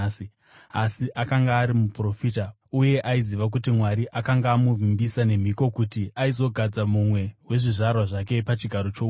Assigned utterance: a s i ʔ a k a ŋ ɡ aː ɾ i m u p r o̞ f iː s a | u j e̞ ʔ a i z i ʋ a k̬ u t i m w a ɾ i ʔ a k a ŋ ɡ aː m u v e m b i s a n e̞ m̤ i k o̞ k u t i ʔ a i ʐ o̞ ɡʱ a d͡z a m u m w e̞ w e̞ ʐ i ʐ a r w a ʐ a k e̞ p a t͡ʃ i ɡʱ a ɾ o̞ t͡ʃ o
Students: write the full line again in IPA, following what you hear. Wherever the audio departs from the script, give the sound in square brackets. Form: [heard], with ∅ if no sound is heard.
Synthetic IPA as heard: a s i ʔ a k a ŋ ɡ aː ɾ i m u p r o̞ f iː [t] a | u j e̞ ʔ a i z i ʋ a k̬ u t i m w a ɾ i ʔ a k a ŋ ɡ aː m u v [i] m b i s a n e̞ m̤ i k o̞ k u t i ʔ a i [z] o̞ ɡʱ a d͡z a m u m w e̞ w e̞ ʐ i ʐ a r w a ʐ a k e̞ p a t͡ʃ i ɡʱ a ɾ o̞ t͡ʃ o